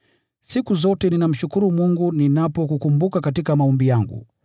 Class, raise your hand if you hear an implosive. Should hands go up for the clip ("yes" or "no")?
no